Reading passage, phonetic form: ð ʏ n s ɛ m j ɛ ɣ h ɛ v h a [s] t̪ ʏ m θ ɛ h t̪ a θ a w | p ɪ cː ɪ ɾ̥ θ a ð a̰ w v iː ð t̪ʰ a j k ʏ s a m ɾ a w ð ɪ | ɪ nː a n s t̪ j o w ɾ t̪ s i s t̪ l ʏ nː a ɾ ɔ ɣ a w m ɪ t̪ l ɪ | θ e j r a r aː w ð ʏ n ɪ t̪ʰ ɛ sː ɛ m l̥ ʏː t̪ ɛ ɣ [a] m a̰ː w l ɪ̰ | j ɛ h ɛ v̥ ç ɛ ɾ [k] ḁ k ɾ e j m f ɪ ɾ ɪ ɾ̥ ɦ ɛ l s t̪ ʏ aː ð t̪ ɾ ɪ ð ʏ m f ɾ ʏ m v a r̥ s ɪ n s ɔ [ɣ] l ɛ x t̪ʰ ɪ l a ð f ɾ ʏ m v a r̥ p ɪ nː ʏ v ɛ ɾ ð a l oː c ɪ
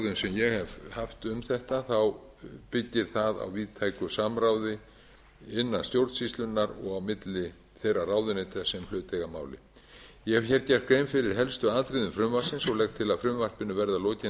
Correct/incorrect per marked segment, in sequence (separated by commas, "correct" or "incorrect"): incorrect, correct, incorrect, correct